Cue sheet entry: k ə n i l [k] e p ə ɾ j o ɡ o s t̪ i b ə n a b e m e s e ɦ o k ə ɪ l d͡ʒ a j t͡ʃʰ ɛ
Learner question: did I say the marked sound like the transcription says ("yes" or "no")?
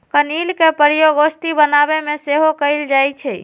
yes